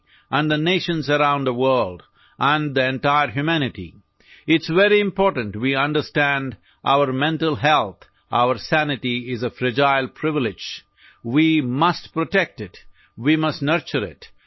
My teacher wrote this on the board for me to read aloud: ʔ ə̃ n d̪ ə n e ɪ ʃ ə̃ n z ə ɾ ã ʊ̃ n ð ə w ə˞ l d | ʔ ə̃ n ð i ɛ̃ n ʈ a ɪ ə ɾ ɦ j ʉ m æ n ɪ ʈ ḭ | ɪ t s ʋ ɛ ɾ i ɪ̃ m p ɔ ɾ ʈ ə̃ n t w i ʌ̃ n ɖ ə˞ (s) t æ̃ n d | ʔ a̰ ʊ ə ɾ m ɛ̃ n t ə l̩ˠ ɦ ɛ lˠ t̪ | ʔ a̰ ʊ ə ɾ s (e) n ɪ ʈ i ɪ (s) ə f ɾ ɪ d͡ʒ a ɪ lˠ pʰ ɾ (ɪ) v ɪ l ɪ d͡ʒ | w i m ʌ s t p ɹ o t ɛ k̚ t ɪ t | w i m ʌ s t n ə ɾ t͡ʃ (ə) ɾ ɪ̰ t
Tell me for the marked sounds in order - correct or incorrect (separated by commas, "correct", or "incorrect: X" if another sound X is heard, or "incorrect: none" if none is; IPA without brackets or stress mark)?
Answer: correct, incorrect: æ, incorrect: z, correct, correct